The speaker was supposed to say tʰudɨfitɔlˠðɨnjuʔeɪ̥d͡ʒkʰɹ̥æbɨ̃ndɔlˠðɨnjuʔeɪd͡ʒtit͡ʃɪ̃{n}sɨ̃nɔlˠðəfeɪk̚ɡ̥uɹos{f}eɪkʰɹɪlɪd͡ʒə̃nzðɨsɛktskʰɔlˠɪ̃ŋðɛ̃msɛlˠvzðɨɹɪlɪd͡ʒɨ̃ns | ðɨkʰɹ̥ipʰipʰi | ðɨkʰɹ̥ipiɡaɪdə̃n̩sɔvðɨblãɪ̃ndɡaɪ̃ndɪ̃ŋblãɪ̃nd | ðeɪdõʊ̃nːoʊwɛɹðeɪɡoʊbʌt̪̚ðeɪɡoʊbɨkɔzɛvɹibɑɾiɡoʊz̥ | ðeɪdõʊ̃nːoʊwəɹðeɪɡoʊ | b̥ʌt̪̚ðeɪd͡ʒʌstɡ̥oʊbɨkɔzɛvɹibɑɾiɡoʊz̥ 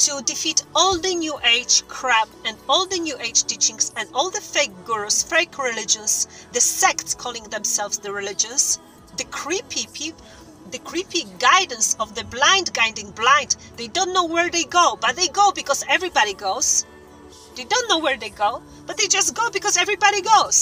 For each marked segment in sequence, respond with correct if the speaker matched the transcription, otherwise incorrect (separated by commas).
incorrect, correct